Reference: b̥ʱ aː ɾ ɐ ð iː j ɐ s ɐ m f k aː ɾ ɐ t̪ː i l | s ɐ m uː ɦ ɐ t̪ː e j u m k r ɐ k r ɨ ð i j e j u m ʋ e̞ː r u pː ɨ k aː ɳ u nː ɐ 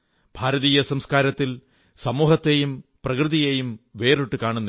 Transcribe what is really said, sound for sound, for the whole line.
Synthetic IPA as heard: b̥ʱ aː ɾ ɐ ð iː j ɐ s ɐ m s k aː ɾ ɐ t̪ː i l | s ɐ m uː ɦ ɐ t̪ː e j u m p r ɐ k r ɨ ð i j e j u m ʋ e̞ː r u ʈː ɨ k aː ɳ u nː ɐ